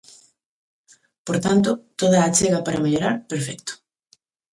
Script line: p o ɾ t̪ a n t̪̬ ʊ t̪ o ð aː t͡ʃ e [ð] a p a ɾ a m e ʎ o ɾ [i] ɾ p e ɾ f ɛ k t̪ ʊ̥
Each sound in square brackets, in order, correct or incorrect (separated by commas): incorrect, incorrect